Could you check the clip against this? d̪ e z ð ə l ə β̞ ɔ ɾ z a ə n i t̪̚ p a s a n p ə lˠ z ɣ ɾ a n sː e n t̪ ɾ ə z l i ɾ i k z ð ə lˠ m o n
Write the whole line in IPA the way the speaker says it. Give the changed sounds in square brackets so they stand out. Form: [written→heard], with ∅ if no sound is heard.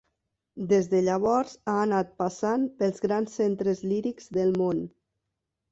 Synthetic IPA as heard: d̪ e z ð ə [l→ʎ] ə β̞ ɔ ɾ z a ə n [i→a] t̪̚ p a s a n p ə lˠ z ɣ ɾ a n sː e n t̪ ɾ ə z l i ɾ i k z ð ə lˠ m o n